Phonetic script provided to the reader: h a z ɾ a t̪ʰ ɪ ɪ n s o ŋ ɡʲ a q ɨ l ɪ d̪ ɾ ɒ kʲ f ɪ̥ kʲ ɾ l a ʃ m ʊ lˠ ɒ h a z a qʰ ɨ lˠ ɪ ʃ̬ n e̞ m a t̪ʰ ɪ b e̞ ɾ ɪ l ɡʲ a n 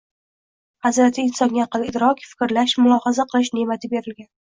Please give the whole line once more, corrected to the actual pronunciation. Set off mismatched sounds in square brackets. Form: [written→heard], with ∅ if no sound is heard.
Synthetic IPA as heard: h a z ɾ a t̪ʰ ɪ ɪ n s [o→ɒ] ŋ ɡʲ a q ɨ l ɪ d̪ ɾ ɒ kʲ f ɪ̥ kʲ ɾ l a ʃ m ʊ lˠ ɒ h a z a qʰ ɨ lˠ ɪ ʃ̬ n e̞ m a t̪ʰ ɪ b e̞ ɾ ɪ l ɡʲ a n